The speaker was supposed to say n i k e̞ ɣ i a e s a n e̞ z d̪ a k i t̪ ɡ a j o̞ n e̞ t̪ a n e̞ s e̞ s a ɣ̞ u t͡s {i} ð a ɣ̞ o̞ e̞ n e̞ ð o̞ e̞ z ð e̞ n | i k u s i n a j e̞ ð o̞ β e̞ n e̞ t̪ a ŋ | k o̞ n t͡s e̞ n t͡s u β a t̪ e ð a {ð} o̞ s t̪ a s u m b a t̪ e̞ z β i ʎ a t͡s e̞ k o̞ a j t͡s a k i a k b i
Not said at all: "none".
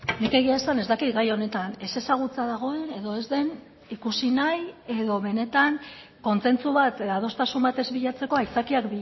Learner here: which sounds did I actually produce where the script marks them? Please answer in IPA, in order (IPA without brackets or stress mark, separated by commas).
a, ð